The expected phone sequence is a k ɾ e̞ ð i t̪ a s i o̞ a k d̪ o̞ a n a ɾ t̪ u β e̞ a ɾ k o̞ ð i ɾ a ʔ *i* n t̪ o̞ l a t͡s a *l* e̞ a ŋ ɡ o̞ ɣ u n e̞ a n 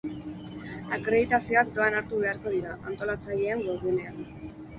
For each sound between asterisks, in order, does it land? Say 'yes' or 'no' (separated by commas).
no, no